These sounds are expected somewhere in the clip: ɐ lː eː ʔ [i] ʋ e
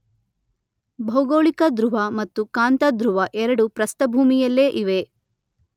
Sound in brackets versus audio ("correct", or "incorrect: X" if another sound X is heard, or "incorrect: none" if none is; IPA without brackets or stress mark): correct